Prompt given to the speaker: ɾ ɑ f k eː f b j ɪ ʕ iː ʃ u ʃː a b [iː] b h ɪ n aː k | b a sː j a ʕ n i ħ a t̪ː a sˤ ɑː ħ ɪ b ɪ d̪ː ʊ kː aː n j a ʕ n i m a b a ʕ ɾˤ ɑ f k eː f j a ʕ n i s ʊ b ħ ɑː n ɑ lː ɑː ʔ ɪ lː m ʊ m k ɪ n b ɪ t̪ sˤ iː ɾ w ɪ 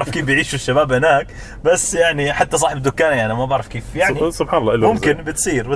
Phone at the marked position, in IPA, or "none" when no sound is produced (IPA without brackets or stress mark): aː